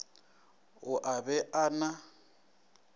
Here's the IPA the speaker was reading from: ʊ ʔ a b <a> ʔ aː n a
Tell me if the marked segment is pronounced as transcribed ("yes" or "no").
no